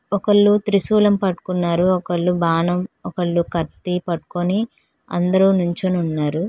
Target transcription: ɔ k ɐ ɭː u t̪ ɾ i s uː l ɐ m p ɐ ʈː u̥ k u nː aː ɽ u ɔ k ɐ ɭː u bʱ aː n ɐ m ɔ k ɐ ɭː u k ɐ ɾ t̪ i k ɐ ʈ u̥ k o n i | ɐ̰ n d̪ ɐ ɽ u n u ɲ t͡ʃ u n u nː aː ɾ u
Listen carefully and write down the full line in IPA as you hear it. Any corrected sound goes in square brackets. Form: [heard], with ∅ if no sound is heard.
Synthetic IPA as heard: ɔ k ɐ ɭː u t̪ ɾ i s uː l ɐ m p ɐ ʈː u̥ k u nː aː [ɾ] u ɔ k ɐ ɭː u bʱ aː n ɐ m ɔ k ɐ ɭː u k ɐ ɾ t̪ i [p] ɐ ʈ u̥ k o n i | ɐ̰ n d̪ ɐ [ɾ] u n u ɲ t͡ʃ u n u nː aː ɾ u